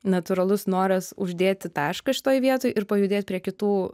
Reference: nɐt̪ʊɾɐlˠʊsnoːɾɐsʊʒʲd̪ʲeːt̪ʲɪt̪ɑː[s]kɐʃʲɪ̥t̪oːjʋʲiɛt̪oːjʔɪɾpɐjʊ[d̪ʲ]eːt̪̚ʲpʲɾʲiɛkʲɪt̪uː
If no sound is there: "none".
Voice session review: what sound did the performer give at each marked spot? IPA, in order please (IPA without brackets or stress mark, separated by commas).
ʃ, d̪ʲ